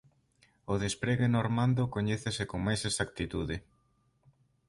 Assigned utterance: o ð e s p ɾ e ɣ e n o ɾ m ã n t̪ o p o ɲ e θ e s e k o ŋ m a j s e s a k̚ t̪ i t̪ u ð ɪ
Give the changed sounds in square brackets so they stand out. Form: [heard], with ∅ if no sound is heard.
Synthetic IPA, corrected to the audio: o ð e s p ɾ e ɣ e n o ɾ m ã n [d̪] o [k] o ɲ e θ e s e k o ŋ m a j s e s a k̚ t̪ i t̪ u ð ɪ